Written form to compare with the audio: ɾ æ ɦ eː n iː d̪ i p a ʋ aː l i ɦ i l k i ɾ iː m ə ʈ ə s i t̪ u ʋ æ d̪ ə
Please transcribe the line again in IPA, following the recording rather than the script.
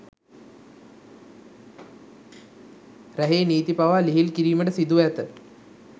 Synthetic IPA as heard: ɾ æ ɦ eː n iː t̪ i p a ʋ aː l i ɦ i l k i ɾ iː m ə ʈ ə s i d̪ u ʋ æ t̪ ə